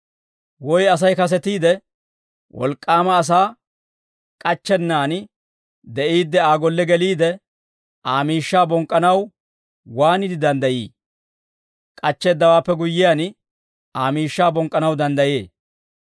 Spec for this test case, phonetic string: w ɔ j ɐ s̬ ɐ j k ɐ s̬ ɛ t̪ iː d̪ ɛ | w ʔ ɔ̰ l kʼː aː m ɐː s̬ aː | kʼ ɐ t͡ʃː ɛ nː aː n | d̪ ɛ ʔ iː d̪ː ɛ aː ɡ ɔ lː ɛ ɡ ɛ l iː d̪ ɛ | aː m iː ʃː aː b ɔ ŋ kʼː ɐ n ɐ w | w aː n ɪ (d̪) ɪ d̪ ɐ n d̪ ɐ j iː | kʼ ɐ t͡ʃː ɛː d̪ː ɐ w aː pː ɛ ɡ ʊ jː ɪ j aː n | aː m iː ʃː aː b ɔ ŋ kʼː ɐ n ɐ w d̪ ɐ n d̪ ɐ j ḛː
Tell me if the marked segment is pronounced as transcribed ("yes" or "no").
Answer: yes